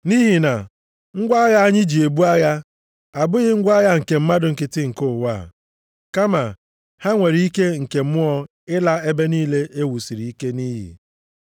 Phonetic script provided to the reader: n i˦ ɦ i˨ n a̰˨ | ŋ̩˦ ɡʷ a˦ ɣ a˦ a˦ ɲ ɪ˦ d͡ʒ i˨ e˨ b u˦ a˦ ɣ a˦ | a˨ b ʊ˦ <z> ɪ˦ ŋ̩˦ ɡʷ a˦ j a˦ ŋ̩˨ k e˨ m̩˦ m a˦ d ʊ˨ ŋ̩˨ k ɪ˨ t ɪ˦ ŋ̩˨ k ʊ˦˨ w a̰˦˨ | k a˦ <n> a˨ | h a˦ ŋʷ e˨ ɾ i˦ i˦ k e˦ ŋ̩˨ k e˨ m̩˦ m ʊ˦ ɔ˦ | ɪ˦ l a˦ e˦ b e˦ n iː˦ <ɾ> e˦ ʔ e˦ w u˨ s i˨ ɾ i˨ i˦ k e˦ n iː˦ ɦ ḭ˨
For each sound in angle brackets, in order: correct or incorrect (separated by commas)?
incorrect, incorrect, incorrect